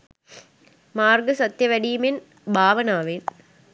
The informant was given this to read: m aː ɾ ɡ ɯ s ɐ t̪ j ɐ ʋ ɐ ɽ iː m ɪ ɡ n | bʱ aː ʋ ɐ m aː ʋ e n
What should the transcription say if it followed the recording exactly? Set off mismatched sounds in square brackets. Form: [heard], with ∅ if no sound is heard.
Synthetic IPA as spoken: m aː ɾ ɡ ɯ s ɐ t̪ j ɐ ʋ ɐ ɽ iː m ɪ [∅] n | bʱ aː ʋ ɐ [n] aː ʋ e n